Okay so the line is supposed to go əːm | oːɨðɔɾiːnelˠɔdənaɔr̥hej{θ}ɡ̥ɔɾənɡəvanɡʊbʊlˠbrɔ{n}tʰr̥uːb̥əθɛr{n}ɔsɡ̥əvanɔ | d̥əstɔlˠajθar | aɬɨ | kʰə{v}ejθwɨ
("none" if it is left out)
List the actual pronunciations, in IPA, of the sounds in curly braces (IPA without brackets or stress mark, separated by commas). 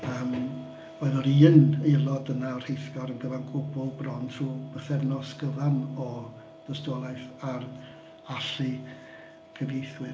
θ, n, n, v